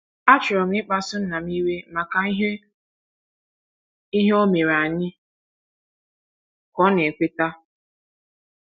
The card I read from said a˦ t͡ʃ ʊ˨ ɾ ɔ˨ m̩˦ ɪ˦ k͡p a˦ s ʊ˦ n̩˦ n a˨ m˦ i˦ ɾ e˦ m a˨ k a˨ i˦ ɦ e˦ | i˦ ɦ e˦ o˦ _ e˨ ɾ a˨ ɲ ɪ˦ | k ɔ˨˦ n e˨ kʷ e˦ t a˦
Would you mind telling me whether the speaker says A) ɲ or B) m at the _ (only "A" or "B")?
B